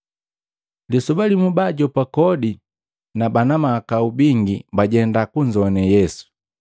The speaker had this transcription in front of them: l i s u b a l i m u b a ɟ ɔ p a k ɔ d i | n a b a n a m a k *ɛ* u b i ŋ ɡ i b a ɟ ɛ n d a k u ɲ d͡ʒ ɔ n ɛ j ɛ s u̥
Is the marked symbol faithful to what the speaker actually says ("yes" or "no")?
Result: no